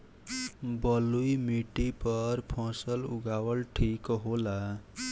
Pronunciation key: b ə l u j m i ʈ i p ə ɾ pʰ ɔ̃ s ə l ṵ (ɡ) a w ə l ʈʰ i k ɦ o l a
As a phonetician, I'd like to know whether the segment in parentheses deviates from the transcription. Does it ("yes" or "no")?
no